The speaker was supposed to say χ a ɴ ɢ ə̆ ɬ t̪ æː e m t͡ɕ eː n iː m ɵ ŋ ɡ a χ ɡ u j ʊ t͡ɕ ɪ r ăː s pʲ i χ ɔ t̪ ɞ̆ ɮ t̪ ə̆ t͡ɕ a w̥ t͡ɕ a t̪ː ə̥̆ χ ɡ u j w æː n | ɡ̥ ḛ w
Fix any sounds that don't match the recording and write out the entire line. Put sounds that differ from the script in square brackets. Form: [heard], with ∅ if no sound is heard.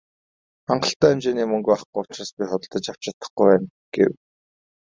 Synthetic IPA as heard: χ a ɴ ɢ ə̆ ɬ t̪ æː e m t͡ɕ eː n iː m ɵ ŋ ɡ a χ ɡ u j ʊ t͡ɕ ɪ r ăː s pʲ i χ ɔ t̪ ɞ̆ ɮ t̪ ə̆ t͡ɕ a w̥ t͡ɕ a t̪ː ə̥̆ χ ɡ u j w æː n | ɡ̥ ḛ w

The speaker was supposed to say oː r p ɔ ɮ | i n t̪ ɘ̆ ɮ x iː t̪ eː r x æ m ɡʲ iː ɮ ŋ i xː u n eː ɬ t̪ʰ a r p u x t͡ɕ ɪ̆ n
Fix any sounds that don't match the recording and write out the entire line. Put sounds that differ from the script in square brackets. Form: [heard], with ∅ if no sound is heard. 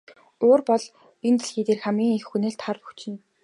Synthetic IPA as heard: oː r p ɔ ɮ | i n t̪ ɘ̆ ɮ x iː t̪ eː r x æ m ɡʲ iː [∅] ŋ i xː u n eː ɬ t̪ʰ a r p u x t͡ɕ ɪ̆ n

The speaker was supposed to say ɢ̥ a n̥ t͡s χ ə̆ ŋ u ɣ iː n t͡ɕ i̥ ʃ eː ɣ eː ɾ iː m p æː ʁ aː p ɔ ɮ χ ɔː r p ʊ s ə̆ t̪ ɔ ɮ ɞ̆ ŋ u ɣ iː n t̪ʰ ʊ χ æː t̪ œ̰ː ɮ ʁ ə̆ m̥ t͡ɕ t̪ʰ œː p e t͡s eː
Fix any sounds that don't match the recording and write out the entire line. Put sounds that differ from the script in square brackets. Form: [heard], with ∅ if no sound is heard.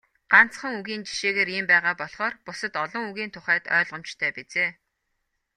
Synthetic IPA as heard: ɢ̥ a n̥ t͡s χ ə̆ ŋ u ɣ iː n t͡ɕ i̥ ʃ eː ɣ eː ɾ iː m p æː ʁ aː p ɔ ɮ χ ɔː r p ʊ s ə̆ t̪ ɔ ɮ ɞ̆ ŋ u ɣ iː n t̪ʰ ʊ χ æː t̪ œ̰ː ɮ ʁ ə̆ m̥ t͡ɕ t̪ʰ œː p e t͡s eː

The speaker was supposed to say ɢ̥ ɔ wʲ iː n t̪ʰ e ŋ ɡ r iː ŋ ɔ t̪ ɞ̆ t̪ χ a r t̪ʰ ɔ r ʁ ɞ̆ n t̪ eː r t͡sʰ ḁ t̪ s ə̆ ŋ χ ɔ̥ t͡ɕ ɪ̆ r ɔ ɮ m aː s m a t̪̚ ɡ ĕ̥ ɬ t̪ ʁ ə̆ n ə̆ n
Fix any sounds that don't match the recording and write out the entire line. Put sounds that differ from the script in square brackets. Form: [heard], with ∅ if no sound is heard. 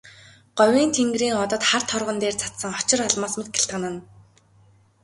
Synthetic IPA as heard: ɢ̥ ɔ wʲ iː n t̪ʰ e ŋ ɡ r iː ŋ ɔ t̪ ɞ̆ t̪ χ a r t̪ʰ ɔ r ʁ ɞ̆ n t̪ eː r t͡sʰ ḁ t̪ s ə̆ ŋ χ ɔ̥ t͡ɕ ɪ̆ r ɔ ɮ m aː s m [e] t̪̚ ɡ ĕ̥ ɬ t̪ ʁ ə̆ n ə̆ n

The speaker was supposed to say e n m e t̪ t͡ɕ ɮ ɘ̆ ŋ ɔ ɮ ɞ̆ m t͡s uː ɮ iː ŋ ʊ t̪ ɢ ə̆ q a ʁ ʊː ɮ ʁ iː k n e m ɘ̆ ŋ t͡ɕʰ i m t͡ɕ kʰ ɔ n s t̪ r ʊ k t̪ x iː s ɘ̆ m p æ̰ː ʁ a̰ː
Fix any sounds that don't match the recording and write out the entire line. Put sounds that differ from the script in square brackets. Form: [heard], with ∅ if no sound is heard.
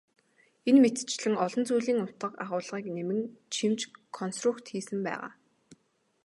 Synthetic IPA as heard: e n m e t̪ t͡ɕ ɮ ɘ̆ ŋ ɔ ɮ ɞ̆ [n] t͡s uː ɮ iː ŋ ʊ t̪ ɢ ə̆ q a ʁ ʊː ɮ ʁ iː k n e m ɘ̆ ŋ t͡ɕʰ i m t͡ɕ kʰ ɔ n s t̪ r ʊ k t̪ x iː s ɘ̆ m p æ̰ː ʁ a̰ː

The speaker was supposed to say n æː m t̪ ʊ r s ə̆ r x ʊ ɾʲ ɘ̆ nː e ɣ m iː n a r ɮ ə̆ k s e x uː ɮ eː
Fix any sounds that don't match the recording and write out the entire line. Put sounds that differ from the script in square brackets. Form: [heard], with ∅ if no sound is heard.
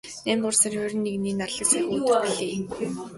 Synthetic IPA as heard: n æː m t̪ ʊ r s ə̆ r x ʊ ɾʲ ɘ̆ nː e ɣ [n] iː n a r ɮ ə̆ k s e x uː ɮ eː

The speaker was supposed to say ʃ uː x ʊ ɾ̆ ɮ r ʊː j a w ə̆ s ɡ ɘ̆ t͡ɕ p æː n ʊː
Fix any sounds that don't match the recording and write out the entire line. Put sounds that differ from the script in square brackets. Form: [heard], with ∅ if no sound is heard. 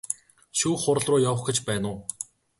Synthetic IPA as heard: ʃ uː [χ] ʊ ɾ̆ ɮ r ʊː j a w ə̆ [χ] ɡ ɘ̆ t͡ɕ p æː n ʊː

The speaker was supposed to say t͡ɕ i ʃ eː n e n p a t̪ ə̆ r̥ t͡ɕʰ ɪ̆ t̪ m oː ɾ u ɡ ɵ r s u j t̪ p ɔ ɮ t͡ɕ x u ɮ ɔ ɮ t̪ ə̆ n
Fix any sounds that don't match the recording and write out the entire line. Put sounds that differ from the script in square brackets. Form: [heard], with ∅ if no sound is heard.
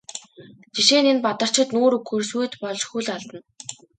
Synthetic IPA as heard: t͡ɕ i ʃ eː n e n p a t̪ ə̆ r̥ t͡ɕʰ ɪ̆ t̪ [n] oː ɾ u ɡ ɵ r s u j t̪ p ɔ ɮ t͡ɕ x u ɮ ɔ ɮ t̪ ə̆ n

